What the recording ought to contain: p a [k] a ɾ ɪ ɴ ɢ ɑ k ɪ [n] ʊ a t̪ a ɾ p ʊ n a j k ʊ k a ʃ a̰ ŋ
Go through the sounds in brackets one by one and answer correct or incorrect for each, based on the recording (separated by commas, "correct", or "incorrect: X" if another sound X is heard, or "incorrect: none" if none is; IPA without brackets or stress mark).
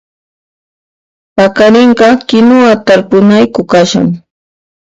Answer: correct, correct